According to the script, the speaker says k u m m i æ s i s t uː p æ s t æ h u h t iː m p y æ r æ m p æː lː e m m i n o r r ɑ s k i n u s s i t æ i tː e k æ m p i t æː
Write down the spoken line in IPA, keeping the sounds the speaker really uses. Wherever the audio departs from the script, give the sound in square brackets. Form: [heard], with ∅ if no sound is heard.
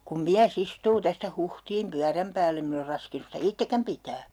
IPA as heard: k u m m i æ s i s t uː [t] æ s t æ h u h t iː m p y æ r æ m p æː lː e m m i n o r r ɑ s k i n u s s i t æ i tː e k æ m p i t æː